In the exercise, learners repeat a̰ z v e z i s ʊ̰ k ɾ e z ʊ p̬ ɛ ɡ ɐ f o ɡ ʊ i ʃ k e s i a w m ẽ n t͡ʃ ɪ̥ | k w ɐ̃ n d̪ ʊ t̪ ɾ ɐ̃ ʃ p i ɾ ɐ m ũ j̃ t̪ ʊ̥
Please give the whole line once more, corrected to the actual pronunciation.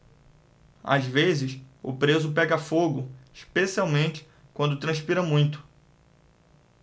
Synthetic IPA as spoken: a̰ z v e z ɪ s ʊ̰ p ɾ e z ʊ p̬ ɛ ɡ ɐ f o ɡ ʊ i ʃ p e s i a w m ẽ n t͡ʃ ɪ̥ | k w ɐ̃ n d̪ ʊ t̪ ɾ ɐ̃ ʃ p i ɾ ɐ m ũ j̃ t̪ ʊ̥